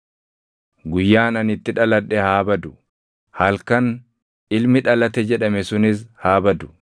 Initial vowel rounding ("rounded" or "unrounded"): rounded